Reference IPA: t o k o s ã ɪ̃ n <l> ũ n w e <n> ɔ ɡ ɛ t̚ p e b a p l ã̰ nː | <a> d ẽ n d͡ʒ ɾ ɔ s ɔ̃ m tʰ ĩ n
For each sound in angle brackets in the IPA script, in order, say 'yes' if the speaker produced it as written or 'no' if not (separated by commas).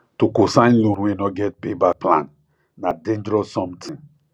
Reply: yes, yes, yes